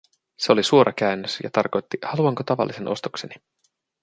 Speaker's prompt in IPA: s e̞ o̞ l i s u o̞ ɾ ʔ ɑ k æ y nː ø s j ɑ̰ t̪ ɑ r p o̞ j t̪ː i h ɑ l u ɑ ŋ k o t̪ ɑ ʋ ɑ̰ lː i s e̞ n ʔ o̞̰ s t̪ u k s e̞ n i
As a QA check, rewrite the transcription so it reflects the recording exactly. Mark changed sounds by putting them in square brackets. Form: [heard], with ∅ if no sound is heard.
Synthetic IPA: s e̞ o̞ l i s u o̞ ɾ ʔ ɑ k æ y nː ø s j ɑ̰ t̪ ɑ r [k] o̞ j t̪ː i h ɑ l u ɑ ŋ k o t̪ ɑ ʋ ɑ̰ lː i s e̞ n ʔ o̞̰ s t̪ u k s e̞ n i